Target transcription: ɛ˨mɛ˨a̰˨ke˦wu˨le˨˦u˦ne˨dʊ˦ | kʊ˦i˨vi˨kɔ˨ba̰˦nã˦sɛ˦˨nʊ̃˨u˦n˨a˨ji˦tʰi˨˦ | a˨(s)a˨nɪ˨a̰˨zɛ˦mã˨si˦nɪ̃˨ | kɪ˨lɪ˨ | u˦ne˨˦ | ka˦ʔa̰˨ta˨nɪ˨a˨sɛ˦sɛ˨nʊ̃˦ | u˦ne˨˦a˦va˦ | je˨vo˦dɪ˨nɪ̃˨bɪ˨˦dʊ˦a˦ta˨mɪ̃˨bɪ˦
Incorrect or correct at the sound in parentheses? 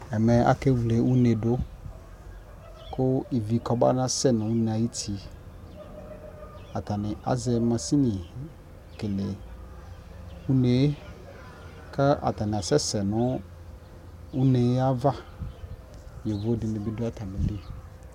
incorrect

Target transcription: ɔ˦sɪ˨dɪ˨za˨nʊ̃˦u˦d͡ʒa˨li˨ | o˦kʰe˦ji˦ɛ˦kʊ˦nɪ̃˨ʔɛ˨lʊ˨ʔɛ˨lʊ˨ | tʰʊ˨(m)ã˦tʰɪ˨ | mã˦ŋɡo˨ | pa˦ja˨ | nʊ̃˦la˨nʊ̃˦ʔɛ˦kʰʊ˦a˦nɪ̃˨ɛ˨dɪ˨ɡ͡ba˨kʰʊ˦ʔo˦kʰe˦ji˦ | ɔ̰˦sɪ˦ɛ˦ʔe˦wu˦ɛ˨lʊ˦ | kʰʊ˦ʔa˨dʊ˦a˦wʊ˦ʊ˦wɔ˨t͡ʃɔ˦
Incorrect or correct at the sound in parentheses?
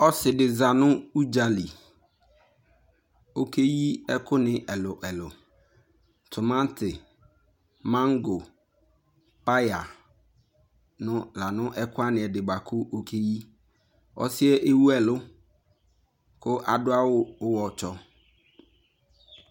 correct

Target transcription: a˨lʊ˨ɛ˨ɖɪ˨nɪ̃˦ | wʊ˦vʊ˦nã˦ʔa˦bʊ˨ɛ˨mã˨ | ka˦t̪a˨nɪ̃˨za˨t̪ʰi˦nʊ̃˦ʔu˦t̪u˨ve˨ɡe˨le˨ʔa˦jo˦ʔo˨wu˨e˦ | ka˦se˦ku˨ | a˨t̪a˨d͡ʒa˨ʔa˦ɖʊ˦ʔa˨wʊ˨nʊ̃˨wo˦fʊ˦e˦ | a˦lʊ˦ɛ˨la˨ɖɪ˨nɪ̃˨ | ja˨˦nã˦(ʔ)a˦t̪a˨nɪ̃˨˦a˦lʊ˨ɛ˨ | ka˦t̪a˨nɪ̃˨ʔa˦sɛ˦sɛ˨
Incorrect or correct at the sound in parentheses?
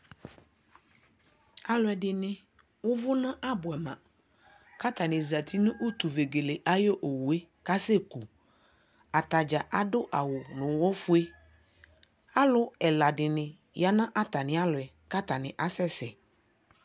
correct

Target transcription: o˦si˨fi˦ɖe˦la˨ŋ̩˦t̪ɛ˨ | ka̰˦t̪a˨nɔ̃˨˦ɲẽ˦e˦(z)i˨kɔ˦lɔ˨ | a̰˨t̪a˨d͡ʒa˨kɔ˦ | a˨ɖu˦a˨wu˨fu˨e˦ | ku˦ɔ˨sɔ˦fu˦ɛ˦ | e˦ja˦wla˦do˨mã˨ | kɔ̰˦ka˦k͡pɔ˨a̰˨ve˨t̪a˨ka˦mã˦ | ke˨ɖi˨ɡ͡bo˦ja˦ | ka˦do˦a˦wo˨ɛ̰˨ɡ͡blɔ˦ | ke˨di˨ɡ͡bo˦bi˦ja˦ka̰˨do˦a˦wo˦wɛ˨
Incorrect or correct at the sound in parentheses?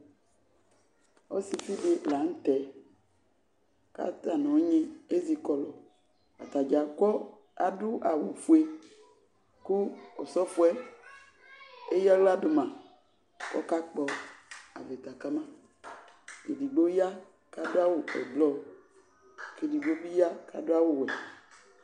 correct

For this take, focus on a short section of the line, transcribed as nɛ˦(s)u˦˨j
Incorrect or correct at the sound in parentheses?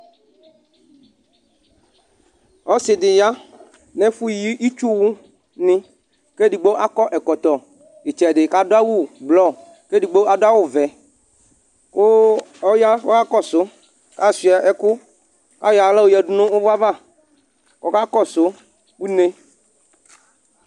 incorrect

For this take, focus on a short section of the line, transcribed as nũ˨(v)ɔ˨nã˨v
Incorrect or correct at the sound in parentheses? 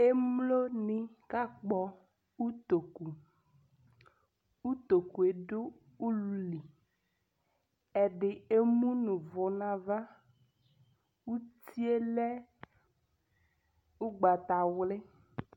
correct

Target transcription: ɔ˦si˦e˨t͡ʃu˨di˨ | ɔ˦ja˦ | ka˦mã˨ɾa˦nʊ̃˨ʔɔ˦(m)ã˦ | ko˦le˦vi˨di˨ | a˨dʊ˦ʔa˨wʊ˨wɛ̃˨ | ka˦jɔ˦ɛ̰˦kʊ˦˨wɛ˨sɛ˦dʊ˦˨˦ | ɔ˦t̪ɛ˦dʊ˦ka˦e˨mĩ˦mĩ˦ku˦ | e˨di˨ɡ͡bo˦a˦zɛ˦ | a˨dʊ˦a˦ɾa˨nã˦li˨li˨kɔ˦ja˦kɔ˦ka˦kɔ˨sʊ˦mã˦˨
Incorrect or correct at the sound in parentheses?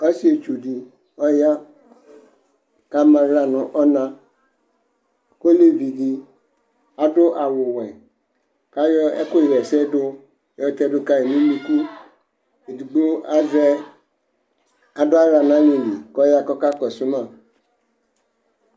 incorrect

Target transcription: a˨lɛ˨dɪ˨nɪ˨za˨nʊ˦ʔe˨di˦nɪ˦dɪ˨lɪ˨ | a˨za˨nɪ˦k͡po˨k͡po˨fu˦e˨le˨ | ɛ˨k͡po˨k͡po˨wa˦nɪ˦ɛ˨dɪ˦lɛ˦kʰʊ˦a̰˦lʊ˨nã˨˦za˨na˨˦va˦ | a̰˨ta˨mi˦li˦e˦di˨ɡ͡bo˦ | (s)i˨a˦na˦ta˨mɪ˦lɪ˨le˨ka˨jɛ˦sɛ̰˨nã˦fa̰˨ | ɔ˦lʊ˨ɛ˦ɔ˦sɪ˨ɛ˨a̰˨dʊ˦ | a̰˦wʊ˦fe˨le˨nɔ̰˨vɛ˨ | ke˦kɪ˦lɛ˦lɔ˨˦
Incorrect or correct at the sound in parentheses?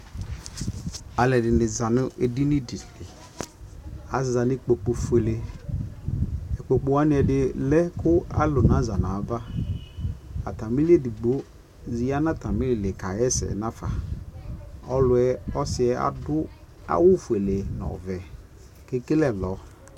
incorrect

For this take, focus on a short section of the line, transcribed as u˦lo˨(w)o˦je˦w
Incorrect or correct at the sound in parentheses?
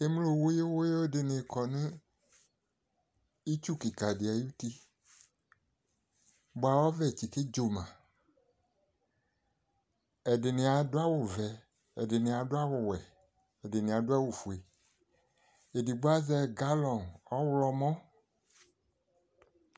correct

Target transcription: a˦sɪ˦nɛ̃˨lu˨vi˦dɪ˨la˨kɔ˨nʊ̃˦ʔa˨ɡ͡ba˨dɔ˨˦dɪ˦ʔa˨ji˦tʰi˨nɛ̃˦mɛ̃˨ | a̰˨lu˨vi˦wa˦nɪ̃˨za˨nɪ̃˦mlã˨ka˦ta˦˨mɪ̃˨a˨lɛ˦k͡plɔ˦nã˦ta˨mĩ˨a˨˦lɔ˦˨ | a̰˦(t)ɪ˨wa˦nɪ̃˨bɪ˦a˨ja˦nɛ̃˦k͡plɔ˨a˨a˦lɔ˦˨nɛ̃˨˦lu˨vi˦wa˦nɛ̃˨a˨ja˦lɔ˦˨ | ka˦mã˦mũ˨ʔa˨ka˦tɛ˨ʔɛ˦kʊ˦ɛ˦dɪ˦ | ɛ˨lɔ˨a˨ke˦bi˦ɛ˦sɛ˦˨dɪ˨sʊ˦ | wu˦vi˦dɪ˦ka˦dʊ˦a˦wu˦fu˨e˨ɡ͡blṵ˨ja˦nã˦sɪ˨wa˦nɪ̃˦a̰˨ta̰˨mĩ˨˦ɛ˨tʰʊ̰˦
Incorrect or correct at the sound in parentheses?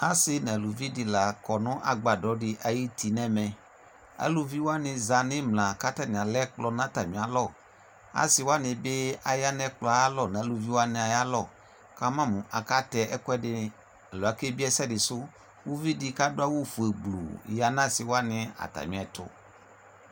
incorrect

